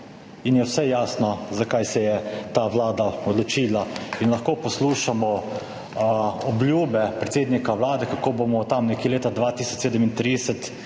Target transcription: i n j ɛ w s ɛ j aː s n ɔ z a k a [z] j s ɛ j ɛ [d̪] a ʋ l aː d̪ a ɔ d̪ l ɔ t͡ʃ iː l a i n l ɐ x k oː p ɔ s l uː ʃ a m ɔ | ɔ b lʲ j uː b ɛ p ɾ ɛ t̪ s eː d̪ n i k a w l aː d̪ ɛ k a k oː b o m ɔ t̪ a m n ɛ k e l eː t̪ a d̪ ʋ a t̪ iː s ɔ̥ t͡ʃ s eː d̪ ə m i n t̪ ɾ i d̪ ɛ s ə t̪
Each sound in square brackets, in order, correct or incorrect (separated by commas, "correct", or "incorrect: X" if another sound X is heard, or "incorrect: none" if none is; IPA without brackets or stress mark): incorrect: none, incorrect: t̪